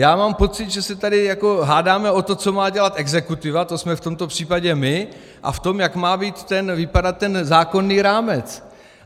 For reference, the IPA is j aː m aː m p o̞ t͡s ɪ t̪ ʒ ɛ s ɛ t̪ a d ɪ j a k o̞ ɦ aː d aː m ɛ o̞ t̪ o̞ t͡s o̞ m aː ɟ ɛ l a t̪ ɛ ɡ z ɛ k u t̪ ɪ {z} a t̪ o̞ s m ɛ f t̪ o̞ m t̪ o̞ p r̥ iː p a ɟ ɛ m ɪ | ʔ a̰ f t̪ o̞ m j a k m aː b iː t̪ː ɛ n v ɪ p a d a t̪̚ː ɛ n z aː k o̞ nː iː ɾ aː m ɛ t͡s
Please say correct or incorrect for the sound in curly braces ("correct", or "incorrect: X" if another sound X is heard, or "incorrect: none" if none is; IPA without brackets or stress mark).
incorrect: v